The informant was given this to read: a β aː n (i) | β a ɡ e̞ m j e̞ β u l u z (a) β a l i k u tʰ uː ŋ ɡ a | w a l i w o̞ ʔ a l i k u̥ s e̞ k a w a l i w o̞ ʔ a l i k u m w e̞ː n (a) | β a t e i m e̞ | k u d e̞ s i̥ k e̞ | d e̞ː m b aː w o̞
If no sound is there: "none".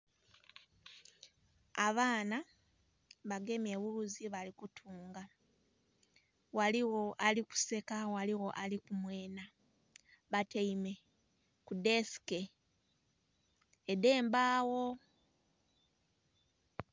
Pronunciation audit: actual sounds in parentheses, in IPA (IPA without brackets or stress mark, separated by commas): a, i, a